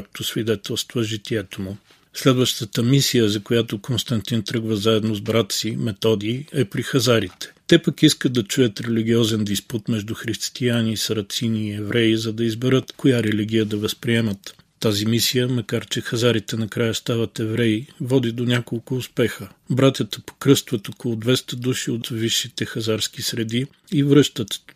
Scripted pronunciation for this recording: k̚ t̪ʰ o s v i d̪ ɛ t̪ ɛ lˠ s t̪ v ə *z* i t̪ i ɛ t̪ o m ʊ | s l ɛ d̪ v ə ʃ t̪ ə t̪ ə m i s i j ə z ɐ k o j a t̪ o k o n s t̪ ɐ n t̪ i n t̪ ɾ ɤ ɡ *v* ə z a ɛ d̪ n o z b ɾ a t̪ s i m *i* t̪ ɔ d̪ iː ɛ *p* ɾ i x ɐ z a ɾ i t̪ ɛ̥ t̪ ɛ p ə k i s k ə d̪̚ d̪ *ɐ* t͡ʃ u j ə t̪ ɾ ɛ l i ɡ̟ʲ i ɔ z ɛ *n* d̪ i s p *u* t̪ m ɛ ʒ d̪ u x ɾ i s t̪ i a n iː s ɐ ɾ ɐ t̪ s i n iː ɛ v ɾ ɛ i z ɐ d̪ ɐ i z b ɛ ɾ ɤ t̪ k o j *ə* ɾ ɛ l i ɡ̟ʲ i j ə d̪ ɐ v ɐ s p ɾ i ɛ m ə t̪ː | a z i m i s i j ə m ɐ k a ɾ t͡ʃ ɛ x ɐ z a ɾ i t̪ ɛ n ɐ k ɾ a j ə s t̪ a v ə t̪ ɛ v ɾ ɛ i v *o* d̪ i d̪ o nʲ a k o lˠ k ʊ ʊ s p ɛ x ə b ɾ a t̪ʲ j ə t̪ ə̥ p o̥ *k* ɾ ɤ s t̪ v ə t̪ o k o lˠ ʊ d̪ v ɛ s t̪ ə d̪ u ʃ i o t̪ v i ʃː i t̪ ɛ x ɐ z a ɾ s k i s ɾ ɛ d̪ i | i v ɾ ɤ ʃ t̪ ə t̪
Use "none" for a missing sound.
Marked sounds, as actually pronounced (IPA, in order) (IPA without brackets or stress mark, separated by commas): ʒ, v, ɛ, p, ɐ, n, u, a, ɔ, k